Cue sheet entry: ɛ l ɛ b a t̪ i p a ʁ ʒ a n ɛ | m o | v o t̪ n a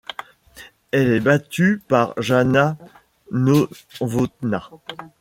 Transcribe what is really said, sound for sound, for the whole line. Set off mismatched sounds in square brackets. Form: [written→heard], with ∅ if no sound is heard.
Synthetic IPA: ɛ l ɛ b a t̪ [i→y] p a ʁ ʒ a n [ɛ→a] | [m→n] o | v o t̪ n a